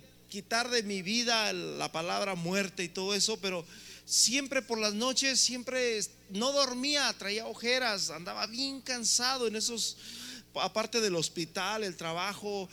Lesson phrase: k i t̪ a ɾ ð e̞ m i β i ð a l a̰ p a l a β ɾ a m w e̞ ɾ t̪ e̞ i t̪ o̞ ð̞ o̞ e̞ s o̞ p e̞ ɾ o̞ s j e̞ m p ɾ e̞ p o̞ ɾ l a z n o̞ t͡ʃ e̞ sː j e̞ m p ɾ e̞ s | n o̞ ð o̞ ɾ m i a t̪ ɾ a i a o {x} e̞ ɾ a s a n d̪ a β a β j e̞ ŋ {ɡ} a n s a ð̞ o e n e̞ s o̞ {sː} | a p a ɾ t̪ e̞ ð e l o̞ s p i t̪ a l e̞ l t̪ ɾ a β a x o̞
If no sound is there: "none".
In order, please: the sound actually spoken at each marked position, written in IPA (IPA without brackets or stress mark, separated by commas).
x, k, s